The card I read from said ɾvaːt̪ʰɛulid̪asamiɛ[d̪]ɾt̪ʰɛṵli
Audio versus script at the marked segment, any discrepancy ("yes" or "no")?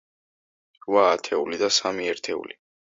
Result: yes